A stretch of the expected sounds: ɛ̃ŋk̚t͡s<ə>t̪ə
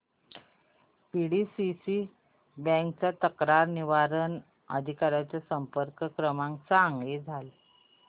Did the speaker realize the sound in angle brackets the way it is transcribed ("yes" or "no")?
no